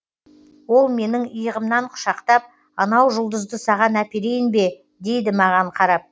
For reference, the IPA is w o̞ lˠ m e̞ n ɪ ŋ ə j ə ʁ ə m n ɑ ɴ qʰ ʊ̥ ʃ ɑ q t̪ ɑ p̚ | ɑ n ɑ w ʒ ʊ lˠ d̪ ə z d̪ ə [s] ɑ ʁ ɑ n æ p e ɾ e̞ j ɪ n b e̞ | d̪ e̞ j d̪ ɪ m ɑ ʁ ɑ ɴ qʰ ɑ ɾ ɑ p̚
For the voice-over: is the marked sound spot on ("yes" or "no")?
yes